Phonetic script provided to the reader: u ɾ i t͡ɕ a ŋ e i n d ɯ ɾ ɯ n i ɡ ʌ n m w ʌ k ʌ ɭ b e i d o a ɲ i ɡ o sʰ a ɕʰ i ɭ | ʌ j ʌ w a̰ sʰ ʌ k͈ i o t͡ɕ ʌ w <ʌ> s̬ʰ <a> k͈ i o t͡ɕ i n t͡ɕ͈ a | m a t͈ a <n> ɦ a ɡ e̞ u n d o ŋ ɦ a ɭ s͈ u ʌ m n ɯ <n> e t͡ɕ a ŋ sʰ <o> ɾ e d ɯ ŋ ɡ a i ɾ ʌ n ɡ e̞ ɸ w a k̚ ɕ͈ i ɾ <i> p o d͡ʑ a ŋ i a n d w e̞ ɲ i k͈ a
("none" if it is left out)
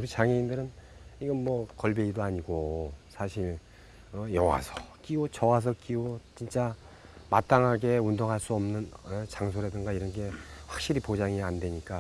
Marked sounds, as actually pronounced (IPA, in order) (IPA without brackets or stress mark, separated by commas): a, ʌ, ŋ, n, o, i